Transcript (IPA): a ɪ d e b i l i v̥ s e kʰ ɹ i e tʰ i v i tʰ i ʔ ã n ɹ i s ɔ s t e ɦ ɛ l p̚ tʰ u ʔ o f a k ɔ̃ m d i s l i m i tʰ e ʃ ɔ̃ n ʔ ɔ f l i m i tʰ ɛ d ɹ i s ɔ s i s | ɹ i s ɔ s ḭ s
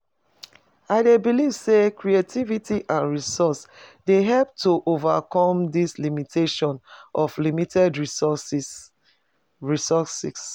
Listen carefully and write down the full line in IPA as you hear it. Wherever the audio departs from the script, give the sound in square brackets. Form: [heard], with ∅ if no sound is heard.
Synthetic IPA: a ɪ d e b i l i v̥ s e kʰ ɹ i e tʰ i v i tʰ i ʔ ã n ɹ i s ɔ s [d] e ɦ ɛ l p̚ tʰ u ʔ o [v] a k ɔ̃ m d i s l i m i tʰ e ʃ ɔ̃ n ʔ ɔ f l i m i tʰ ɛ d ɹ i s ɔ s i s | ɹ i s ɔ s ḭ s